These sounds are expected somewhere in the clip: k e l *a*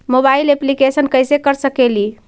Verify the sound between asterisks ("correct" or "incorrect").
incorrect